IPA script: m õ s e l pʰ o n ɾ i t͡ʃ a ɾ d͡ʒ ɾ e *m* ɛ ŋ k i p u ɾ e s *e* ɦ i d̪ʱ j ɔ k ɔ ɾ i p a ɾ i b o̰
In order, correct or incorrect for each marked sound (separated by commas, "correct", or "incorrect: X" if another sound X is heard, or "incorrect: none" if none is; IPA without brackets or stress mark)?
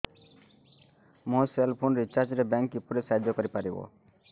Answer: incorrect: b, incorrect: a